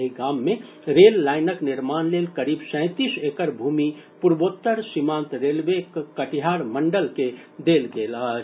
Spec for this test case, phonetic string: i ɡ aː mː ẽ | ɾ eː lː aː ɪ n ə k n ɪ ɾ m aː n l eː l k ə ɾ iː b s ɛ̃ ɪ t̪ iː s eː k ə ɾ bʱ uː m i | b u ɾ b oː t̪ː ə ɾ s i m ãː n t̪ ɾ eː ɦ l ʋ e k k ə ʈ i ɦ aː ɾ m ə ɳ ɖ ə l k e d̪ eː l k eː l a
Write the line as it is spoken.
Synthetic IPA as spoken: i ɡ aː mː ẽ | ɾ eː lː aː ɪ n ə k n ɪ ɾ m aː n l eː l k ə ɾ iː b s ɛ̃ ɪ t̪ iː s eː k ə ɾ bʱ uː m i | p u ɾ b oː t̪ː ə ɾ s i m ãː n t̪ ɾ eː l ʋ e k k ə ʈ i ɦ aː ɾ m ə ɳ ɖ ə l k e d̪ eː l ɡ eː l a